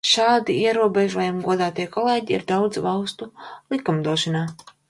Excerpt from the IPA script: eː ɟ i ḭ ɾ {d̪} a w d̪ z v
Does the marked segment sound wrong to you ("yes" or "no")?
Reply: no